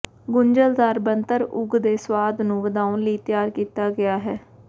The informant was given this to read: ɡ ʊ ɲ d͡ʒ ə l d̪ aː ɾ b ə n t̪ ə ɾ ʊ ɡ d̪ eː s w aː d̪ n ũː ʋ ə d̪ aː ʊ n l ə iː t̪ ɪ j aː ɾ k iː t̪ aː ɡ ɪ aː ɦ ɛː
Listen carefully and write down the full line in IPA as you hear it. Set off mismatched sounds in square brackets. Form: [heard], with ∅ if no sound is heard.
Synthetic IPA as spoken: ɡ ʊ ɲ d͡ʒ ə l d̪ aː ɾ b ə n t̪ ə ɾ ʊ ɡ d̪ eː s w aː d̪ n ũː ʋ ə d̪ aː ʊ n l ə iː t̪ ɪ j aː ɾ k iː t̪ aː ɡ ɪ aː ɦ ɛː